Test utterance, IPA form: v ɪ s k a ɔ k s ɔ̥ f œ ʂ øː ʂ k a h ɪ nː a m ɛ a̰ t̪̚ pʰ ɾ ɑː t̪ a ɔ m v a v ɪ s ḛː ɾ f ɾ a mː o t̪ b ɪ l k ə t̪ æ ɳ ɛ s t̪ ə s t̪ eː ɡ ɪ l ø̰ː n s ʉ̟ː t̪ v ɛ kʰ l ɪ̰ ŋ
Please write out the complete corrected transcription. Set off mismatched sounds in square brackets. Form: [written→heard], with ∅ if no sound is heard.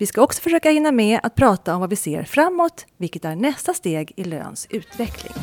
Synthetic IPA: v ɪ s k a ɔ k s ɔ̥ f œ ʂ øː [ʂ→∅] k a h ɪ nː a m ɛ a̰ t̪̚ pʰ ɾ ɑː t̪ a ɔ m v a v ɪ s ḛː ɾ f ɾ a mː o t̪ [b→v] ɪ l k ə t̪ æ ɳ ɛ s t̪ [ə→a] s t̪ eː ɡ ɪ l ø̰ː n s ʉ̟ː t̪ v ɛ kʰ l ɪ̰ ŋ